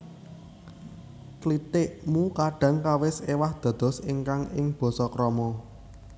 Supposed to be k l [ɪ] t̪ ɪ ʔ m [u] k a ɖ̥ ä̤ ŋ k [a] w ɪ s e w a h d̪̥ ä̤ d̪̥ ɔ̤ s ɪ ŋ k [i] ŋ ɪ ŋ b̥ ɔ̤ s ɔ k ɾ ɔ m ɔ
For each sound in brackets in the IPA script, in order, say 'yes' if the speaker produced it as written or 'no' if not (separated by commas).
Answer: no, yes, yes, no